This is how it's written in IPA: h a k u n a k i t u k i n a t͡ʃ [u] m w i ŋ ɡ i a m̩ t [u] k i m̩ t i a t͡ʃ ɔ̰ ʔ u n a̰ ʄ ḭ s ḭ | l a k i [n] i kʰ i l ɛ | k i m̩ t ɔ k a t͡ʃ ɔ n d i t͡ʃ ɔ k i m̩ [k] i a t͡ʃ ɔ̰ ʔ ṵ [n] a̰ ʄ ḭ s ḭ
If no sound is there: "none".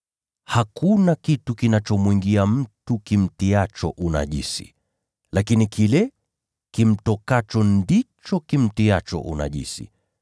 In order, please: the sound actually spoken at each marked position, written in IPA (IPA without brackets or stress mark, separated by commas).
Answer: ɔ, u, n, t, n